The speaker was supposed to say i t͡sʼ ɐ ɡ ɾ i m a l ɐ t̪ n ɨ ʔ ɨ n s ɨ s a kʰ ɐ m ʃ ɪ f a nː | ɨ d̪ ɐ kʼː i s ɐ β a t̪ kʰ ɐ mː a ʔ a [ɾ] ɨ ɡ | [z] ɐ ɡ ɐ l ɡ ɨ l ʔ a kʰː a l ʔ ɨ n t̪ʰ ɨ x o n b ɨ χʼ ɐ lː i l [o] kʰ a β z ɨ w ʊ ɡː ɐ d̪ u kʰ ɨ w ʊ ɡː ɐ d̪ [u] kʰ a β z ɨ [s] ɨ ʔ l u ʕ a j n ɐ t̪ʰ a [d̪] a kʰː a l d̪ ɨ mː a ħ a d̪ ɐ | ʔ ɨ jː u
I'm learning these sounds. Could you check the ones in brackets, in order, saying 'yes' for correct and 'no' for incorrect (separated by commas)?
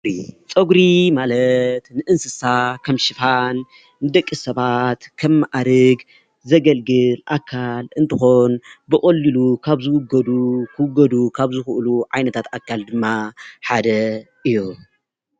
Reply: yes, yes, no, yes, no, no